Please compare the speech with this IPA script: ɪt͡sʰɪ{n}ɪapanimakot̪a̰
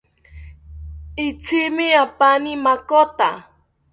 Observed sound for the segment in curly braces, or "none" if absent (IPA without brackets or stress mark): m